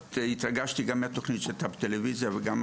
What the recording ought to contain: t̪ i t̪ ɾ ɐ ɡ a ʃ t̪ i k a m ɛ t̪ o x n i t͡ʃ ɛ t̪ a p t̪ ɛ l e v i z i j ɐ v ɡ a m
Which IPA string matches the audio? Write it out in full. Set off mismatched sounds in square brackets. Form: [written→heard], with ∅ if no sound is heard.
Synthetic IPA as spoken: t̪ i t̪ ɾ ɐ ɡ a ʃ t̪ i [k→ɡ] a m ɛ t̪ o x n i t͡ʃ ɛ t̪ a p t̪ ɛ l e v i z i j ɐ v ɡ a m